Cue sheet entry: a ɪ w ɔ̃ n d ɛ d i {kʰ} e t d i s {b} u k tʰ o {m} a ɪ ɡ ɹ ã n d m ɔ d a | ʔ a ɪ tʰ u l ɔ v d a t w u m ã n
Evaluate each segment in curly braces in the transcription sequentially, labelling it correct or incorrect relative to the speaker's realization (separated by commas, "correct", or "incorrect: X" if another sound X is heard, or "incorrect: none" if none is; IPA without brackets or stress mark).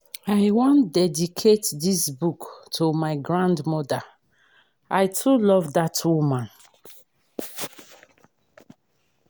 correct, correct, correct